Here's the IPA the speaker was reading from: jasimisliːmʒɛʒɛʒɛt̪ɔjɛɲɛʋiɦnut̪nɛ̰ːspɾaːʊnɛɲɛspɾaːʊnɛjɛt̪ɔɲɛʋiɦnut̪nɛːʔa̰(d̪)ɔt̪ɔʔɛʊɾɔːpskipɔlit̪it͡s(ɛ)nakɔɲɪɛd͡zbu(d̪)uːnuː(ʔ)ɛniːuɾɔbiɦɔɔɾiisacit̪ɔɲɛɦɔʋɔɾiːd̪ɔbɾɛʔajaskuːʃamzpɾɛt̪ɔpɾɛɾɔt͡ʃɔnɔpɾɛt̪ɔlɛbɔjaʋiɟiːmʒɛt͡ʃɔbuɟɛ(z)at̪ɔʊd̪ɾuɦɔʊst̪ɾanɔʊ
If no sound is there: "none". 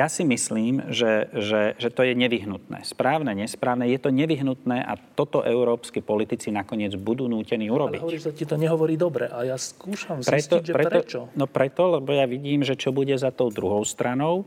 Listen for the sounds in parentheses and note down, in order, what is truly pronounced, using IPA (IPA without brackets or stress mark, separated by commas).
t̪, i, d̪, c, z